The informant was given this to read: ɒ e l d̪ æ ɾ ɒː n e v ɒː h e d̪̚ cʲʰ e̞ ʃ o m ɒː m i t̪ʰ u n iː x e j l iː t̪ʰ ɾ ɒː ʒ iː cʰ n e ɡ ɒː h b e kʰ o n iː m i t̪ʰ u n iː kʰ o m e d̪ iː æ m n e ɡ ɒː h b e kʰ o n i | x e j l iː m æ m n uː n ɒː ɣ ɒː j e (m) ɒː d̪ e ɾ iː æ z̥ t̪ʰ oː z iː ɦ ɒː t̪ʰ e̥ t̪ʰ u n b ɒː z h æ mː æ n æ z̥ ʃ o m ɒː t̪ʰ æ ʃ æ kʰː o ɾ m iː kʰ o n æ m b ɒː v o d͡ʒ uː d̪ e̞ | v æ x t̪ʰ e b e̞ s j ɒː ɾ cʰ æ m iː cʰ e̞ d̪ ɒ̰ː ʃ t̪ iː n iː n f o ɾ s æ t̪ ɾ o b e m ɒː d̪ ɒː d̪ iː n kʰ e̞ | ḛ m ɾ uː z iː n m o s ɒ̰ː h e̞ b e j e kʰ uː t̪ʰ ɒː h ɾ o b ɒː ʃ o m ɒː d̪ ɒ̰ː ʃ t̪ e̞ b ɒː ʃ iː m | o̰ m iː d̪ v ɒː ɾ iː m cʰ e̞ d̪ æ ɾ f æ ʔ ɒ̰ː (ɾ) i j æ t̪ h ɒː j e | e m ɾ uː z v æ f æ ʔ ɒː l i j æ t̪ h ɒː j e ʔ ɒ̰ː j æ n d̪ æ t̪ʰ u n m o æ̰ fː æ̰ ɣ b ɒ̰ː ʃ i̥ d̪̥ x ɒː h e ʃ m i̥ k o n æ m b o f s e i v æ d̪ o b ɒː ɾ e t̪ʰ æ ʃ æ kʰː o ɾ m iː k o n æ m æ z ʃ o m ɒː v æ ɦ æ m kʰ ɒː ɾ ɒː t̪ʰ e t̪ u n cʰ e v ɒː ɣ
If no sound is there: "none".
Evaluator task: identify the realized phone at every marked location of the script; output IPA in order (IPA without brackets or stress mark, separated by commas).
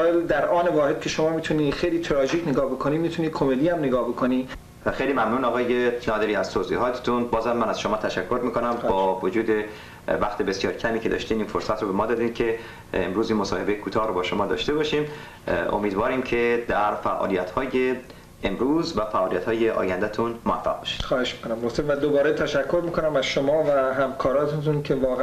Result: n, l